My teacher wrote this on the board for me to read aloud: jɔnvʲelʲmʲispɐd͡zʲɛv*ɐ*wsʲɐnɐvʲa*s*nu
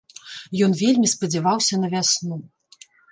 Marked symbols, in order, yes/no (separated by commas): no, yes